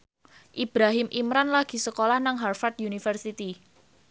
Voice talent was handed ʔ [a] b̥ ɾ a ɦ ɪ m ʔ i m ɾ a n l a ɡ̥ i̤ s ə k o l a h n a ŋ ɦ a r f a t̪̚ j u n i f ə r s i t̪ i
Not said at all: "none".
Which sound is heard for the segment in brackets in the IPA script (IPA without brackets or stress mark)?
i